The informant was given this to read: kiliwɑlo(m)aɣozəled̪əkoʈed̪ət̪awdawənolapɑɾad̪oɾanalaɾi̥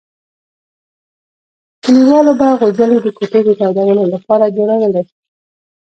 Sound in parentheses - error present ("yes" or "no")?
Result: yes